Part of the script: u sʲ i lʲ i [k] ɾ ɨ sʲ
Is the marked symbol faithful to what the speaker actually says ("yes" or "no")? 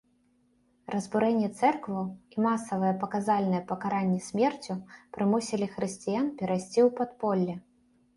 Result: no